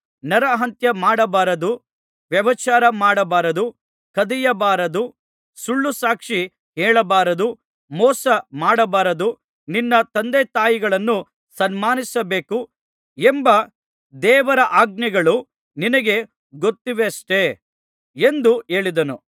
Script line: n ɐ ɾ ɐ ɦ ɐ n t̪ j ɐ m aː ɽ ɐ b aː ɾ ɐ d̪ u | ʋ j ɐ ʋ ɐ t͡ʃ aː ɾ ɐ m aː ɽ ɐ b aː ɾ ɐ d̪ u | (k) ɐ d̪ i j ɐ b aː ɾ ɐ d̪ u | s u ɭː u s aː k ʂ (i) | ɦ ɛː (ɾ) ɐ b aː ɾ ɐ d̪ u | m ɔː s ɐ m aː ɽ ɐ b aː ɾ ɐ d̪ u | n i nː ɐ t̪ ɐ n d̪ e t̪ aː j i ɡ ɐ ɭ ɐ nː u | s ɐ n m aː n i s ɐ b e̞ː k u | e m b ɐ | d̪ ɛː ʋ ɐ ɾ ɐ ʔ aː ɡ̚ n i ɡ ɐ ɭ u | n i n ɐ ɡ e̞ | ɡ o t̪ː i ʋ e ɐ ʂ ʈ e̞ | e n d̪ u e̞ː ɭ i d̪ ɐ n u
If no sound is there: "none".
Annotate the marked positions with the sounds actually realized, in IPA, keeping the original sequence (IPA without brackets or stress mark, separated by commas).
k, i, ɭ